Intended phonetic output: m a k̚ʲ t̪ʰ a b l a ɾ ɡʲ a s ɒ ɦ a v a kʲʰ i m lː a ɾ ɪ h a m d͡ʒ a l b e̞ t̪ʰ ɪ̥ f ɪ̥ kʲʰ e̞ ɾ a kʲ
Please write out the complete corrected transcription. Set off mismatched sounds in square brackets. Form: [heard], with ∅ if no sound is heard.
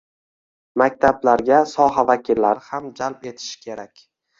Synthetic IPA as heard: m a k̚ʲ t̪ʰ a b l a ɾ ɡʲ a s ɒ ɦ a v a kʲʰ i [∅] lː a ɾ ɪ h a m d͡ʒ a l [p] e̞ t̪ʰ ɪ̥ [ʃ] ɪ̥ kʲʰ e̞ ɾ a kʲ